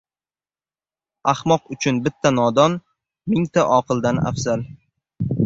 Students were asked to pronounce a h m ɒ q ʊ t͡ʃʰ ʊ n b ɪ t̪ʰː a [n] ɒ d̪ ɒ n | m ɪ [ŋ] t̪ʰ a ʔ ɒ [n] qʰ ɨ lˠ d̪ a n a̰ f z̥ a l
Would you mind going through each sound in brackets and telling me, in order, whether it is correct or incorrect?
correct, correct, incorrect

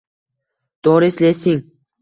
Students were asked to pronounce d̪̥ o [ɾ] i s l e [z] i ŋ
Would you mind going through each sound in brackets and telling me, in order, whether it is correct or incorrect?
correct, incorrect

